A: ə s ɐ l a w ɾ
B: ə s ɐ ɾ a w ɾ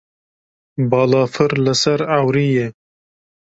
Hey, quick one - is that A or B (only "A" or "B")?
B